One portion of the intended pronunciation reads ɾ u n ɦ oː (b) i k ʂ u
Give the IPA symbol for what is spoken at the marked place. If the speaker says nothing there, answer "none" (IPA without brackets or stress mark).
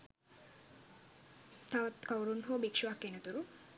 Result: b